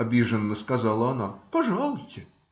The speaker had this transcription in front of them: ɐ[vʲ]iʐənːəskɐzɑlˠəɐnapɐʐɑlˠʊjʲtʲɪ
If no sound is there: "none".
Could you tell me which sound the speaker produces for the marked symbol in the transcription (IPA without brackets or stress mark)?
bʲ